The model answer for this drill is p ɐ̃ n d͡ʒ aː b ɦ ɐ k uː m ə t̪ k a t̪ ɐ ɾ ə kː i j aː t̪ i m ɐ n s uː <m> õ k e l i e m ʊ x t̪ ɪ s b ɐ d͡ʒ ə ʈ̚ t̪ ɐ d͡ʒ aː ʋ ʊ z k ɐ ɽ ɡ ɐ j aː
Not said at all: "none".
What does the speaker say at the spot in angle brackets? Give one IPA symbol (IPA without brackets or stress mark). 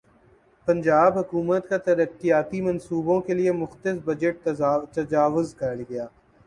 b